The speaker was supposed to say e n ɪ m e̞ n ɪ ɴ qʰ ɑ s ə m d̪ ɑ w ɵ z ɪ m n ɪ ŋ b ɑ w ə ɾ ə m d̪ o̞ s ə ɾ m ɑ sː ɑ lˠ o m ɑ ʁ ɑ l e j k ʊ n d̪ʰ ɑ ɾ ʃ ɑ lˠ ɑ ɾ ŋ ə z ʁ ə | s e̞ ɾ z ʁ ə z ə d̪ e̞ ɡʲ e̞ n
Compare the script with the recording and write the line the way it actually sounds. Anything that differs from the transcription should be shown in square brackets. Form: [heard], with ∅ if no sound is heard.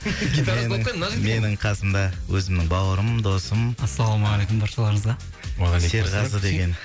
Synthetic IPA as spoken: e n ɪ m e̞ n ɪ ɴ qʰ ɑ s ə m d̪ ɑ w ɵ z ɪ m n ɪ ŋ b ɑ w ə ɾ ə m d̪ o̞ s ə [∅] m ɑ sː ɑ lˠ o m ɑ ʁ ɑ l e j k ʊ [m] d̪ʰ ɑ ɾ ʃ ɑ lˠ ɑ ɾ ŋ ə z ʁ [ɑ] | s e̞ ɾ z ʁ [ɑ] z ə d̪ e̞ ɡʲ e̞ n